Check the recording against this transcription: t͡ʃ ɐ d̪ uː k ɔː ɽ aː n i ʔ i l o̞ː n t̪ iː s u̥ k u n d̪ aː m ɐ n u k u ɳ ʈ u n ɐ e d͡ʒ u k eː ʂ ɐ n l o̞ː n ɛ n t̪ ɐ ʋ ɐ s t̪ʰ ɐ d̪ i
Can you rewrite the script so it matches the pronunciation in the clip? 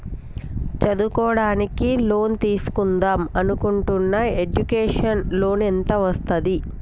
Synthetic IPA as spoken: t͡ʃ ɐ d̪ u k ɔː ɽ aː n i k i l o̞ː n t̪ iː s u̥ k u n d̪ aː m ɐ n u k u ɳ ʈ u nː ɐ e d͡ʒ u k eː ʂ ɐ n l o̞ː n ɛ n t̪ ɐ ʋ ɐ s t̪ ɐ d̪ i